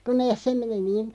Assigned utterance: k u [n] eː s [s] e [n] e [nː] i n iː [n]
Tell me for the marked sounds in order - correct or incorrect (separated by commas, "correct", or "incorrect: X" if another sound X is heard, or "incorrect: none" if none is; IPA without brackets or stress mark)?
correct, correct, incorrect: m, incorrect: n, correct